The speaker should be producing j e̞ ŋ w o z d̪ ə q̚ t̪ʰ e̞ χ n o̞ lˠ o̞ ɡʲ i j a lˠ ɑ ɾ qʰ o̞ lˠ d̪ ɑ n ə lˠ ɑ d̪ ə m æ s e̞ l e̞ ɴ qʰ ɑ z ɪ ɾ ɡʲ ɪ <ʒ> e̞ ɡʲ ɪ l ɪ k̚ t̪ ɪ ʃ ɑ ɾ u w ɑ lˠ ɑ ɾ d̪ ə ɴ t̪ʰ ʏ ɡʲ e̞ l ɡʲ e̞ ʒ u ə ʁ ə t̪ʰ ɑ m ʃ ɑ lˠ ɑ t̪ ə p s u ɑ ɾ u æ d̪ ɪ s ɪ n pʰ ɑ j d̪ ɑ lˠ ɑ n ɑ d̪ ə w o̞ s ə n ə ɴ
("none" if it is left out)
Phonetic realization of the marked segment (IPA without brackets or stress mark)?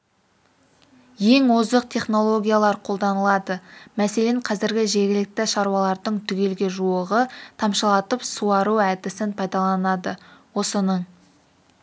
ʒ